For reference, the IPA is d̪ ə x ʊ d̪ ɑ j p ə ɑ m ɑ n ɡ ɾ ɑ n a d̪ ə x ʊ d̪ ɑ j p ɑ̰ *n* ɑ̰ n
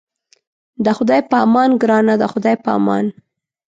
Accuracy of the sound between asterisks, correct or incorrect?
incorrect